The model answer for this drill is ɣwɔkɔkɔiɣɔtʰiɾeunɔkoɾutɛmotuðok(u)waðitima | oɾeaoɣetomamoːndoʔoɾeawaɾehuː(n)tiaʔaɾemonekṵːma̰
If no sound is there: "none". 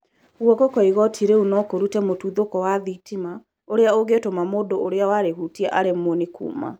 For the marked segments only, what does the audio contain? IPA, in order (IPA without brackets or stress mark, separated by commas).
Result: ɔ, none